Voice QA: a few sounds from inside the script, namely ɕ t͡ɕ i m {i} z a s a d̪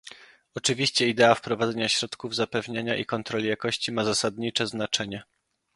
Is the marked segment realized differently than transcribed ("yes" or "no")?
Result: yes